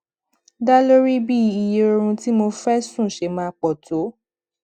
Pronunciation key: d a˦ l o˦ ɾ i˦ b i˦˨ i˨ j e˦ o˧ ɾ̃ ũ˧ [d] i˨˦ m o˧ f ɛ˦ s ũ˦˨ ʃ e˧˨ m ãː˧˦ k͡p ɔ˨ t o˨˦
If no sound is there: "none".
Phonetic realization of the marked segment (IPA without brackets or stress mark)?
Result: t